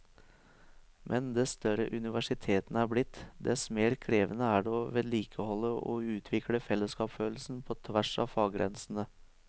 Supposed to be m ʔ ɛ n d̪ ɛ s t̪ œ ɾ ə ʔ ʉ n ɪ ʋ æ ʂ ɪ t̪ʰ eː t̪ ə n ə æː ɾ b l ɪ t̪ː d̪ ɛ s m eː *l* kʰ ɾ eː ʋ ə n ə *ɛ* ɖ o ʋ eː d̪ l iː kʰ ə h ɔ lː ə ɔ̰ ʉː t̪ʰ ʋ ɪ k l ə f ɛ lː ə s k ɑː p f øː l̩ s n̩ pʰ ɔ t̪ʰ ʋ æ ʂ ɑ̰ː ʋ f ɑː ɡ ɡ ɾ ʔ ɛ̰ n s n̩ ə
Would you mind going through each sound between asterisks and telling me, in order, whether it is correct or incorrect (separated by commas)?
incorrect, incorrect